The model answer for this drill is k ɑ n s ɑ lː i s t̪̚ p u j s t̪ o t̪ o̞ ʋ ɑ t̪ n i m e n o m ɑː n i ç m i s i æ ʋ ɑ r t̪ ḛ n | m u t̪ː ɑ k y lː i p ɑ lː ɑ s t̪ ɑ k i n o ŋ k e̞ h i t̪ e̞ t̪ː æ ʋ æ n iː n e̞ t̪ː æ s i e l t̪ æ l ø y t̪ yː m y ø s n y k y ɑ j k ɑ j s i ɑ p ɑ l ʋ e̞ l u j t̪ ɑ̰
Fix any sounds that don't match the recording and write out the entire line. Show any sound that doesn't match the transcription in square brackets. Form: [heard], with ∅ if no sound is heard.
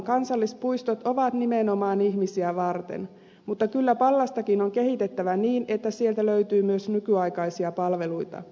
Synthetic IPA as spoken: k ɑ n s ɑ lː i s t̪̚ p u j s t̪ o t̪ o̞ ʋ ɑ t̪ n i m e n o m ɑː n i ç m i s i æ ʋ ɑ r t̪ ḛ n | m u t̪ː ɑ k y lː [æ] p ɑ lː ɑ s t̪ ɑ k i n o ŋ k e̞ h i t̪ e̞ t̪ː æ ʋ æ n iː n e̞ t̪ː æ s i e l t̪ æ l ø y t̪ yː m y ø s n y k y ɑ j k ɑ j s i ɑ p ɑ l ʋ e̞ l u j t̪ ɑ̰